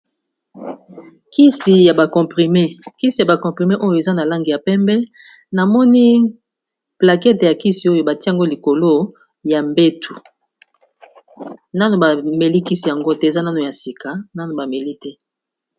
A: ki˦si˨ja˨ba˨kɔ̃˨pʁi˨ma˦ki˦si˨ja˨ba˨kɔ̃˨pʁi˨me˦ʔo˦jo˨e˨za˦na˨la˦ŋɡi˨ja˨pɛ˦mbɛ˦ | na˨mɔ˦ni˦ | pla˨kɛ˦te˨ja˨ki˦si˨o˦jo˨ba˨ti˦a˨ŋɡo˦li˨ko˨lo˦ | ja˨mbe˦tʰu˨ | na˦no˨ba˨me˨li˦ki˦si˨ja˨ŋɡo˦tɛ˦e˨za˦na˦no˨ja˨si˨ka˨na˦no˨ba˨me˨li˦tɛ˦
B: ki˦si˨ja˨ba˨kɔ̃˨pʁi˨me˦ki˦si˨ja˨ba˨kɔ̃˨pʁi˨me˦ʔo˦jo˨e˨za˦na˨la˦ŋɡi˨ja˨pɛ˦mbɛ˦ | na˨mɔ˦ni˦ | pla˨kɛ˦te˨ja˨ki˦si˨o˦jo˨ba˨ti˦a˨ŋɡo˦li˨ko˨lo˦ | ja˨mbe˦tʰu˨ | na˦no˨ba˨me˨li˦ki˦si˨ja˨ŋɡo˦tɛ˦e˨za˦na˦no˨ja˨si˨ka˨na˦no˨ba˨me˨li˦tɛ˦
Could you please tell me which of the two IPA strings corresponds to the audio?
B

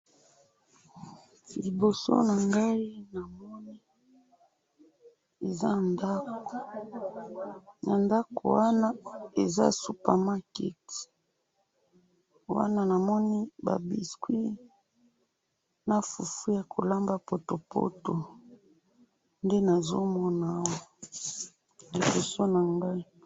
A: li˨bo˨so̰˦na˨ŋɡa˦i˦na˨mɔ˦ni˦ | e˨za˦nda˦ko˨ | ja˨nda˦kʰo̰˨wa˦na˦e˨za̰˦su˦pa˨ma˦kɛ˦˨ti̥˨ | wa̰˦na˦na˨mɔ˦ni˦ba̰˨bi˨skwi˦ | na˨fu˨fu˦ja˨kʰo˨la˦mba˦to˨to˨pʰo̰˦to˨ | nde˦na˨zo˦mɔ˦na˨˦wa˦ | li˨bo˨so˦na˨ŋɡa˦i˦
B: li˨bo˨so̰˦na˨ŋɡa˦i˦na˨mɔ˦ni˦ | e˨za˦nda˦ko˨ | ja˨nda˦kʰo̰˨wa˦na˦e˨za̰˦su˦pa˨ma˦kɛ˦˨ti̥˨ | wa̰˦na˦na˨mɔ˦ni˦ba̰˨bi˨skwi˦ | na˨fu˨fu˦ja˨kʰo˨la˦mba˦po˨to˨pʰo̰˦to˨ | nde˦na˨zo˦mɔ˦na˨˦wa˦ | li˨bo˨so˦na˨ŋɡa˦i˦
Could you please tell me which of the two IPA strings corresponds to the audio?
B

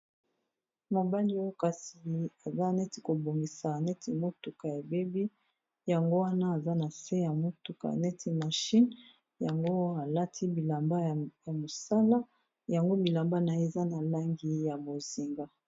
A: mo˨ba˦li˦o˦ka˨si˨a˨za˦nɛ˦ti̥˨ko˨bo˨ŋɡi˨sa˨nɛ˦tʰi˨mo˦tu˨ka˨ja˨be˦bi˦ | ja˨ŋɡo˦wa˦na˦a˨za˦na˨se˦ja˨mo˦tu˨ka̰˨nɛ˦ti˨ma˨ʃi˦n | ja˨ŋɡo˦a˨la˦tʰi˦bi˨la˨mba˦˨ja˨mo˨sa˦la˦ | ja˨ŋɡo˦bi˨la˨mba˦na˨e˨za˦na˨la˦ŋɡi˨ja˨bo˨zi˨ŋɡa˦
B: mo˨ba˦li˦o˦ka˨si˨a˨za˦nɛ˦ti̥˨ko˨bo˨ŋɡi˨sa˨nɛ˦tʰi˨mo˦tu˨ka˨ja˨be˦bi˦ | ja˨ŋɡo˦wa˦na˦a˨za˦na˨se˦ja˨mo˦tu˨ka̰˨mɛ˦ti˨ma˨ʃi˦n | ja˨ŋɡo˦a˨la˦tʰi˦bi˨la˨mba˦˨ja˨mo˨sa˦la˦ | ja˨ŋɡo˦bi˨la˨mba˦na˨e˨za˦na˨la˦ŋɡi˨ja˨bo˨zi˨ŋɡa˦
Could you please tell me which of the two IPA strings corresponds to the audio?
A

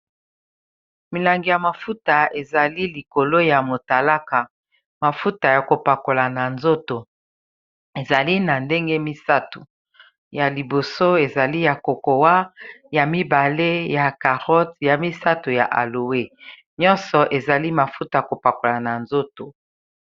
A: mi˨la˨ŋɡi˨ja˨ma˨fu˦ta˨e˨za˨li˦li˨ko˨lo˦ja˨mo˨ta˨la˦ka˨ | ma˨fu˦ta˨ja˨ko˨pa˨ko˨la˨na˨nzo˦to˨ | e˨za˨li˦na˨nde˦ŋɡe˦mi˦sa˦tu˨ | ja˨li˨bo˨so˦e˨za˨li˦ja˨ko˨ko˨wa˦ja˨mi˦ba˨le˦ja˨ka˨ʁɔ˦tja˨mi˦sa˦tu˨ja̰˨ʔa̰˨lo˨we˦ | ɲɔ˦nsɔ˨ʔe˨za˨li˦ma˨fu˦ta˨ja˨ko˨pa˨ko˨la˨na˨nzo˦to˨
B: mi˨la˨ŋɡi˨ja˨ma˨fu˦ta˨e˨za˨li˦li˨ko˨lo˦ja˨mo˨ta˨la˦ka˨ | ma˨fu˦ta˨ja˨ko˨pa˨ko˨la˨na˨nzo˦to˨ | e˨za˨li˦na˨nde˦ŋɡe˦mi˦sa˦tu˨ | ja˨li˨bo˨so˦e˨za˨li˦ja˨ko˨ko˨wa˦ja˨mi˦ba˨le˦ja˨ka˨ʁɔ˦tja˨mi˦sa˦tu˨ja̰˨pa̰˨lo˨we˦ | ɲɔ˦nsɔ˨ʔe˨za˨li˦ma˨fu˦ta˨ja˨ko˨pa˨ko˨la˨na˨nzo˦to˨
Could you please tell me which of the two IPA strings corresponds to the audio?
A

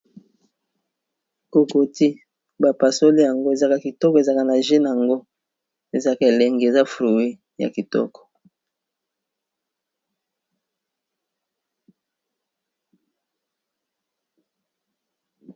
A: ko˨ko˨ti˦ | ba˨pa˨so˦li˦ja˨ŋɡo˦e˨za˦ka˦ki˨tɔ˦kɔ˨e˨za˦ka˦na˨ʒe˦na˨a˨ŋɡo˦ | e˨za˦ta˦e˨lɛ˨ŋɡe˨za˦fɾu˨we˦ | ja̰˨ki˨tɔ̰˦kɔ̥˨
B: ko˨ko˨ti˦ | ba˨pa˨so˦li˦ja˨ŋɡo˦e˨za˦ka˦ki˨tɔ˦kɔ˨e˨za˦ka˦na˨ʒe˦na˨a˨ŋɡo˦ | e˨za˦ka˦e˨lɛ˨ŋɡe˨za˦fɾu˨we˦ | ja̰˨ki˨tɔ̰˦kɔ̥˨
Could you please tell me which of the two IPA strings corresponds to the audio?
B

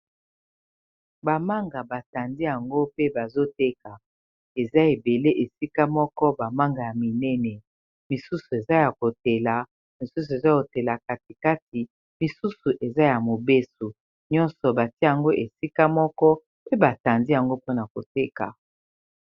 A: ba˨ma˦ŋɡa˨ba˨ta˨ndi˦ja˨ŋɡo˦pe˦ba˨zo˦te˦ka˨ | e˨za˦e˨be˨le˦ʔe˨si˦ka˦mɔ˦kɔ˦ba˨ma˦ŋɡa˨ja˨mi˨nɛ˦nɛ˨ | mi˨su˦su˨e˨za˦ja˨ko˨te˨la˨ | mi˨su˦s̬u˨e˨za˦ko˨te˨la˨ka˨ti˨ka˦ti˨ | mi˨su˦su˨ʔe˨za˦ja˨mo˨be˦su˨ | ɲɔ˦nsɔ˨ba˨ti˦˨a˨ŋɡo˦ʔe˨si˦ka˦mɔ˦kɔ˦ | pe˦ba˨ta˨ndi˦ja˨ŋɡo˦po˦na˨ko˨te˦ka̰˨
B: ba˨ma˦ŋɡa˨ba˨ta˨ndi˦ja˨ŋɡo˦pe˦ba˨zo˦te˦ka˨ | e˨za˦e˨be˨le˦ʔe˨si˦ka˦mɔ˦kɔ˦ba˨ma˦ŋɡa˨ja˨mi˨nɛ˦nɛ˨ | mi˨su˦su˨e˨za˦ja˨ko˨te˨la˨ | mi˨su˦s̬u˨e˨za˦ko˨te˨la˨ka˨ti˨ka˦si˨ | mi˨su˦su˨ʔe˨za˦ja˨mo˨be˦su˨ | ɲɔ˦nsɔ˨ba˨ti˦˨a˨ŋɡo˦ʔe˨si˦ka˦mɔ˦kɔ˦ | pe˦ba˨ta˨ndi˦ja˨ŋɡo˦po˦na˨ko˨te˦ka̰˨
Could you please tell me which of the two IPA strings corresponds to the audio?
A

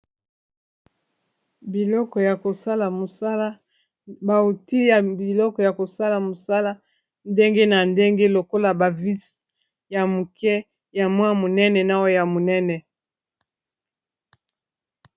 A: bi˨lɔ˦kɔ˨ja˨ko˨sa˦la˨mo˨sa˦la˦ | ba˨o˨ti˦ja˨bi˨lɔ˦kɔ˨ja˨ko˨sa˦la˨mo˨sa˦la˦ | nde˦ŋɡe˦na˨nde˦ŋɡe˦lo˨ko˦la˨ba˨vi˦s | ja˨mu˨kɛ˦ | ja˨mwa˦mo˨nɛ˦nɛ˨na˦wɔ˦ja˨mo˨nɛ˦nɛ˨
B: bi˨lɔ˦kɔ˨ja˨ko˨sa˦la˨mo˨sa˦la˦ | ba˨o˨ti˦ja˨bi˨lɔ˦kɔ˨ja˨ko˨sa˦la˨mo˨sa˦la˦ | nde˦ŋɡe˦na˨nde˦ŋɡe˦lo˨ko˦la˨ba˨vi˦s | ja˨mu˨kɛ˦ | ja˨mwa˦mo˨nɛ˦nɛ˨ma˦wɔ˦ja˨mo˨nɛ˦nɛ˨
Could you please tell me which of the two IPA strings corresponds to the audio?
A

